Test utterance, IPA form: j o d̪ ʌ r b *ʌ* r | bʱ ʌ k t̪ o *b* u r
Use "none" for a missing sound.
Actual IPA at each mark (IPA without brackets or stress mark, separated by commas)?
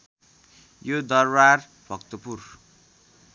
a, p